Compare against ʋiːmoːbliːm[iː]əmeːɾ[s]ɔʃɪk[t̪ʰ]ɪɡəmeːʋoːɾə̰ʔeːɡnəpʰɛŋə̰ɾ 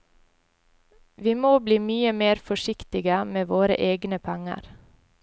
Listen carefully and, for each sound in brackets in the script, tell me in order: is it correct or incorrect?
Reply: incorrect, incorrect, incorrect

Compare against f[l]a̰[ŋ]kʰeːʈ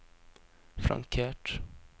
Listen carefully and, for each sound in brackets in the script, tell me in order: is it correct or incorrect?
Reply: incorrect, correct

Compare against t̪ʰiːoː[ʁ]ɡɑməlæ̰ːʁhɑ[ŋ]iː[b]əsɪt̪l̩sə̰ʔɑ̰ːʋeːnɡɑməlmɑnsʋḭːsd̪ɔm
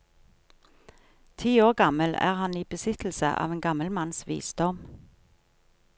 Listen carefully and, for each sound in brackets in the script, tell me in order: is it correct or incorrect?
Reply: correct, incorrect, correct

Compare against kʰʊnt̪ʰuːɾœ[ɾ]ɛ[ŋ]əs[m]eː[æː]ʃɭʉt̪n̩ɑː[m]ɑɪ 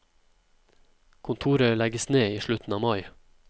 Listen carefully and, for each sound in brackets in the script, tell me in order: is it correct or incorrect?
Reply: incorrect, incorrect, incorrect, incorrect, correct

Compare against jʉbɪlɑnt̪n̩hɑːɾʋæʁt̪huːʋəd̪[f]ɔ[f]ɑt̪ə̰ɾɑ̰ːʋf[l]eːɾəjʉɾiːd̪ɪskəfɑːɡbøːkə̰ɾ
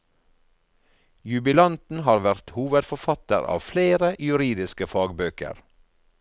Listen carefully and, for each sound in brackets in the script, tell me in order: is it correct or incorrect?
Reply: correct, correct, correct

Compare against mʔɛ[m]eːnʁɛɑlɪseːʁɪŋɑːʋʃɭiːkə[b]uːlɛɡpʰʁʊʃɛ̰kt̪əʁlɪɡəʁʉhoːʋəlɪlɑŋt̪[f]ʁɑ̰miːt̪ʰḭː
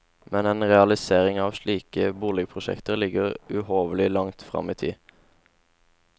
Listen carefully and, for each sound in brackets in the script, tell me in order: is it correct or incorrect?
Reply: incorrect, correct, correct

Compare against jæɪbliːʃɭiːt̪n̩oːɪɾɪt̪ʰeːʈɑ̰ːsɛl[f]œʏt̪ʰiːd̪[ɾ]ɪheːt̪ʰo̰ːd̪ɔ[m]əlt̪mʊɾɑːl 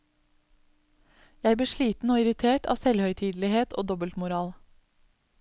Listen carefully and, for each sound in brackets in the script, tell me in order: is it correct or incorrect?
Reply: incorrect, incorrect, incorrect

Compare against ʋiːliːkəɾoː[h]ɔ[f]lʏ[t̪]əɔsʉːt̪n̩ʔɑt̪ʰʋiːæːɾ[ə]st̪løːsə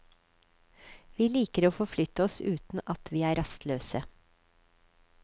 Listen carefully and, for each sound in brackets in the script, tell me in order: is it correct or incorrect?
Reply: incorrect, correct, correct, incorrect

